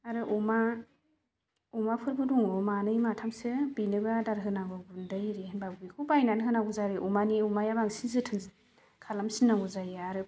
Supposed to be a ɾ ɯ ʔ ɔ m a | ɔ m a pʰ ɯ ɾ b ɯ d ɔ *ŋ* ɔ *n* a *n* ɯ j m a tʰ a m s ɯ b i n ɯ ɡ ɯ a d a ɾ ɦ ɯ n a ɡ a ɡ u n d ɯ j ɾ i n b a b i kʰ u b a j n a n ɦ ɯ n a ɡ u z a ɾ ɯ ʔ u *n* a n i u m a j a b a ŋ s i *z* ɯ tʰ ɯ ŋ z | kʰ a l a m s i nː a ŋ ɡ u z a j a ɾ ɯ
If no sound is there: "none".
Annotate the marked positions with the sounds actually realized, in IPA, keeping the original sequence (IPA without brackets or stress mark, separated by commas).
ŋ, m, n, m, z